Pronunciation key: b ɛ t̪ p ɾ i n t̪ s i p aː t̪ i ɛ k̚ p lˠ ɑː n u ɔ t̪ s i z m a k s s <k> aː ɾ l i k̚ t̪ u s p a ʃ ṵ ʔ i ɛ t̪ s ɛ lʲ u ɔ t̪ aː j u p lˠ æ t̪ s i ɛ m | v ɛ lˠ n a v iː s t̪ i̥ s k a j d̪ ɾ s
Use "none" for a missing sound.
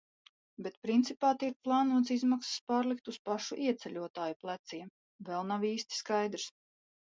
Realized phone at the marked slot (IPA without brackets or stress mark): p